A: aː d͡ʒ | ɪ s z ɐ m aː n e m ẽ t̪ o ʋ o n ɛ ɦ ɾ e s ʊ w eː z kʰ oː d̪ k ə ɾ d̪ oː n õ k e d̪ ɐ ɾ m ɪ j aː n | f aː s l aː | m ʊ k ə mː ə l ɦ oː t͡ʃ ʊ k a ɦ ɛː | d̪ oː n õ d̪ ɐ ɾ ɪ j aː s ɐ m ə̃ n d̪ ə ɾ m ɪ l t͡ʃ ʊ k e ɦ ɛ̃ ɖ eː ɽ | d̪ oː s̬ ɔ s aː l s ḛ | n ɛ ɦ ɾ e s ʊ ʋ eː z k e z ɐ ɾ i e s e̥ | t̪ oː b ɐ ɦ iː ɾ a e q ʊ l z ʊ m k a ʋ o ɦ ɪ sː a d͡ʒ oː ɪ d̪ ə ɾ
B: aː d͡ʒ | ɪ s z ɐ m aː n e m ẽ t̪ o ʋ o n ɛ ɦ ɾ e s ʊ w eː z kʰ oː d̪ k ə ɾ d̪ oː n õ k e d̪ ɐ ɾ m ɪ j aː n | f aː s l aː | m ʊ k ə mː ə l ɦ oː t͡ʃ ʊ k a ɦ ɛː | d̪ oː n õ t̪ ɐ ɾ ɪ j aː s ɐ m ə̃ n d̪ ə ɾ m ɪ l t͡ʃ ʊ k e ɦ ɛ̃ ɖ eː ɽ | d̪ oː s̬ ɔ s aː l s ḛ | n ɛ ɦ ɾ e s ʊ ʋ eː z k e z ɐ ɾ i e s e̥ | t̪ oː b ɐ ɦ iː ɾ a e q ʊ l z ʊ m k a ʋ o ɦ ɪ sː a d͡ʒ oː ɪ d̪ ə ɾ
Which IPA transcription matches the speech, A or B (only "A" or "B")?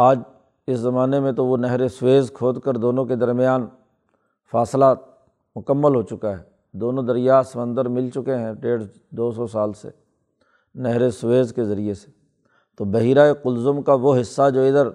A